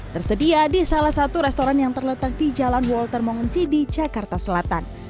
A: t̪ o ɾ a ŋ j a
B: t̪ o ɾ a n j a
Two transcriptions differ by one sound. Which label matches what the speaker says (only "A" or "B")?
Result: B